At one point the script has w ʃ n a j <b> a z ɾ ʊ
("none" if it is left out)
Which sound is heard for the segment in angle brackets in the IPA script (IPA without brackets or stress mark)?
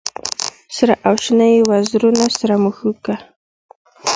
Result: w